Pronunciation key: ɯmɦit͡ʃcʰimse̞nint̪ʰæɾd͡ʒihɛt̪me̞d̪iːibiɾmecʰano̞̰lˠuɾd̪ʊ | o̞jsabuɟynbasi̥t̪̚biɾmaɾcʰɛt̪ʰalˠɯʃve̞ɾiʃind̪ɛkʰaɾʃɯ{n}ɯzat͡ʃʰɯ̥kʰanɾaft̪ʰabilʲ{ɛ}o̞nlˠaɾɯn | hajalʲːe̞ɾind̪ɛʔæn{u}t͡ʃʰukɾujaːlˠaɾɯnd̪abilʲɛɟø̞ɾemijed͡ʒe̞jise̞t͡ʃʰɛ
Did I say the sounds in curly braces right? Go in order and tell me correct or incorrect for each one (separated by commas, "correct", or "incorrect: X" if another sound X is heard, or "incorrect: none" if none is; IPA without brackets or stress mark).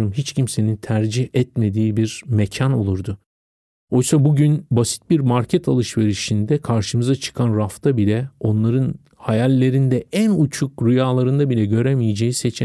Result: incorrect: m, correct, correct